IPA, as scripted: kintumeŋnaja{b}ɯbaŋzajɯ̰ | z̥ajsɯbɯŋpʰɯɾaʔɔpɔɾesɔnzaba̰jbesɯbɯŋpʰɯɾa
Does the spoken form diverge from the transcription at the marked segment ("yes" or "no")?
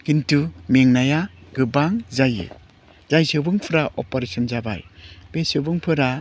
yes